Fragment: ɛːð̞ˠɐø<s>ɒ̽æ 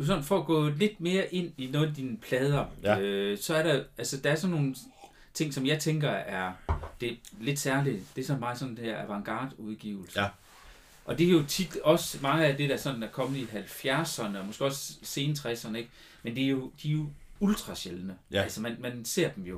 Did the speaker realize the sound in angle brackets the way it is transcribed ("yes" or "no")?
yes